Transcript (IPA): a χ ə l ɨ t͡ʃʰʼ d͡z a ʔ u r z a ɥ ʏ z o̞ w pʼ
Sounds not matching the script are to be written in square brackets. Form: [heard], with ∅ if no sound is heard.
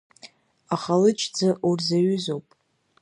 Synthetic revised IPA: a χ [a] l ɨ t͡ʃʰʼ d͡z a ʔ u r z a ɥ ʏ z o̞ w pʼ